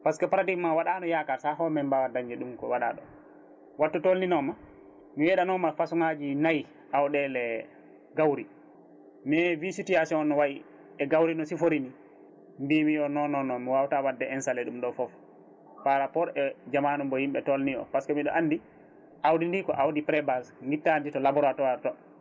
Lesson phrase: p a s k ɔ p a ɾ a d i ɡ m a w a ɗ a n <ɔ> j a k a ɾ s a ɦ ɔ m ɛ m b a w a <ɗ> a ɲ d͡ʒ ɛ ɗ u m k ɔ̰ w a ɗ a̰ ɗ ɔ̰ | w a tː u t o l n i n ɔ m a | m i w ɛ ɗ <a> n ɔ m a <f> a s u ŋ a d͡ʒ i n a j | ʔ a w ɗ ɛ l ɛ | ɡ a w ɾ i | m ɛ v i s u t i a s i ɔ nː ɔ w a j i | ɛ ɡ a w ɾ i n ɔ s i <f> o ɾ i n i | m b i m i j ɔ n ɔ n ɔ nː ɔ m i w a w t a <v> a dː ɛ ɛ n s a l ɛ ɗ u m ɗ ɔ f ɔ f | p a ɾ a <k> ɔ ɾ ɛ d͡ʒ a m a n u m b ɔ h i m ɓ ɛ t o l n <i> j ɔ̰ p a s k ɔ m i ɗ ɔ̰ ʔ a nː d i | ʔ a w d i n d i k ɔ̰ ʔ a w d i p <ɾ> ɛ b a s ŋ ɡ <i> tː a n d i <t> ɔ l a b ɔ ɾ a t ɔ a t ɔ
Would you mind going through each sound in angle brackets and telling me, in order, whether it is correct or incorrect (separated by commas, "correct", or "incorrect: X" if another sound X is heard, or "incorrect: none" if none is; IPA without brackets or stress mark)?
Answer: correct, incorrect: d, correct, correct, correct, incorrect: w, incorrect: p, correct, correct, correct, correct